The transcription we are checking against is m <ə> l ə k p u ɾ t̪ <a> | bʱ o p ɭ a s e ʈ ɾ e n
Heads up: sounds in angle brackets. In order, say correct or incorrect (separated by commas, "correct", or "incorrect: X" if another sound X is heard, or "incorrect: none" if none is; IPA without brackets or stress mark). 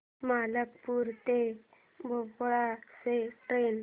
incorrect: a, incorrect: e